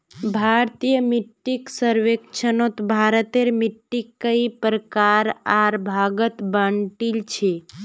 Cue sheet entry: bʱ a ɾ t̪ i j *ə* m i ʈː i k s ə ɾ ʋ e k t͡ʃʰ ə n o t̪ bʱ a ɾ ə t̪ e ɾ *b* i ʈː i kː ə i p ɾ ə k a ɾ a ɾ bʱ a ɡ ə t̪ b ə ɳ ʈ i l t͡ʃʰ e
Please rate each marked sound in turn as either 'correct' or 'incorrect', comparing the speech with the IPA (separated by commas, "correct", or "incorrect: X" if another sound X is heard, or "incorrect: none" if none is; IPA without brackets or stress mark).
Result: correct, incorrect: m